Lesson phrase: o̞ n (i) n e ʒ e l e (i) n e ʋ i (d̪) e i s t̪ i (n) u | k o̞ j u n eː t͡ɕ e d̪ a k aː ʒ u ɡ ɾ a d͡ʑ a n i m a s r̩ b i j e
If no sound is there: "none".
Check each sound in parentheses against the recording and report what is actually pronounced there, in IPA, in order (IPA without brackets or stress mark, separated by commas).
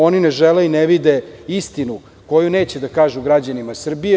i, i, d̪, n